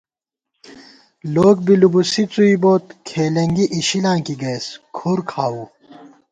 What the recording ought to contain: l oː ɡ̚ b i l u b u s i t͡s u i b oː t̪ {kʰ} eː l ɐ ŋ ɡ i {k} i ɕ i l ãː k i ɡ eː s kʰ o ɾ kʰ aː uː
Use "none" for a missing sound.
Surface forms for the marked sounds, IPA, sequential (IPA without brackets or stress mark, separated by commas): kʰ, ʔ